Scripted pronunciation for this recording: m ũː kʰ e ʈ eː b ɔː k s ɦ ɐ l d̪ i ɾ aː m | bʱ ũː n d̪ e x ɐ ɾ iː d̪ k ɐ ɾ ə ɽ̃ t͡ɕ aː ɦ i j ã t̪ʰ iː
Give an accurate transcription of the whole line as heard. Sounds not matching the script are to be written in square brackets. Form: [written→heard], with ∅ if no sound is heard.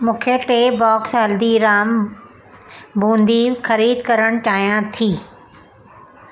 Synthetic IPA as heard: m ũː kʰ e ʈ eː b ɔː k s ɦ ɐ l d̪ i ɾ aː m | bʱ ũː n d̪ [e→i] x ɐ ɾ iː d̪ k ɐ ɾ ə ɽ̃ t͡ɕ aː ɦ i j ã t̪ʰ iː